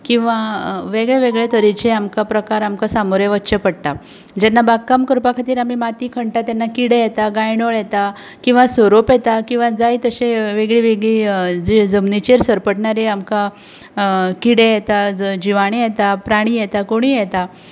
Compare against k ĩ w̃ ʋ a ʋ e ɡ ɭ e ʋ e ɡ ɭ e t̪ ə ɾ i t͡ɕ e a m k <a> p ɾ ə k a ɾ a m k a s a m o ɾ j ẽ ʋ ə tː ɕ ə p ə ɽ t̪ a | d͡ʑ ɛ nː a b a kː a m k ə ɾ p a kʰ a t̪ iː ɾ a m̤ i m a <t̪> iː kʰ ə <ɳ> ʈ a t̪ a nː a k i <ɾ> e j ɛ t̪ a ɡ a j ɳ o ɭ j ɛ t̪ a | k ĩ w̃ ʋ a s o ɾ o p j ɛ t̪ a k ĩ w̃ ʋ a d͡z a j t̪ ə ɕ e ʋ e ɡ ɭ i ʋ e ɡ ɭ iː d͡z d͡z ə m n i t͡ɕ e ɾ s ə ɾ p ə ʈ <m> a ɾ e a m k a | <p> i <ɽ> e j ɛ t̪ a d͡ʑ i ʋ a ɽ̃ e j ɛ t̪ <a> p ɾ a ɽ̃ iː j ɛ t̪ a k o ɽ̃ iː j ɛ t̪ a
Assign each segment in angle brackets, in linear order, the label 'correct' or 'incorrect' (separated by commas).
correct, correct, correct, incorrect, incorrect, incorrect, correct, correct